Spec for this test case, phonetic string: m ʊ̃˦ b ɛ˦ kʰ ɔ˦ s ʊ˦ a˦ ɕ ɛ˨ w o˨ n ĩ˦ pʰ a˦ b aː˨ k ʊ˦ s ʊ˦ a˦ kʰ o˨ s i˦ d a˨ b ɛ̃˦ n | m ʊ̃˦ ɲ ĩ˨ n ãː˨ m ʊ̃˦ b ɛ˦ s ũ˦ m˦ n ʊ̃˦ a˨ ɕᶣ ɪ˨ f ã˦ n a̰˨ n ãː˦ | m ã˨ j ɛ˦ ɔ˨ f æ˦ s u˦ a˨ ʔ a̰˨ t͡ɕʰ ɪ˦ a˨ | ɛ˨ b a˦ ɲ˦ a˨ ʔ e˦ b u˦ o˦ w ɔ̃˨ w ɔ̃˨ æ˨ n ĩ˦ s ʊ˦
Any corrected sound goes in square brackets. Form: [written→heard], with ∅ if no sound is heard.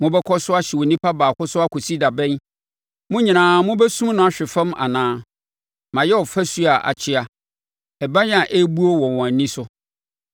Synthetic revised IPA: m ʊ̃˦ b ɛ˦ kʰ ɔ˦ s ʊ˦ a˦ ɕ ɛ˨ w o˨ n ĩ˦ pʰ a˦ b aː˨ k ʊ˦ s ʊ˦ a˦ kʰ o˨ s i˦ d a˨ b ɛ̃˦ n | m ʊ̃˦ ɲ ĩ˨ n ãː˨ m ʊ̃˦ b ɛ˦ s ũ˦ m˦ n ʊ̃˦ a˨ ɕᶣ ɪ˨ f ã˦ [n→m] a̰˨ n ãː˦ | m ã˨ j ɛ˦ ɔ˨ f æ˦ s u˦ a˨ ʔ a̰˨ t͡ɕʰ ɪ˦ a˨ | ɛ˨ b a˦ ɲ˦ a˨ ʔ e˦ b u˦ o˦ w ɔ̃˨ w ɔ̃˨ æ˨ n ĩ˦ s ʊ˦